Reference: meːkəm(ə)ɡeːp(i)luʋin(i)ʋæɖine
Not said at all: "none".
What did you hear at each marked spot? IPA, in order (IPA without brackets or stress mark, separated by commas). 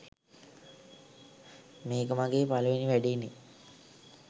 a, a, i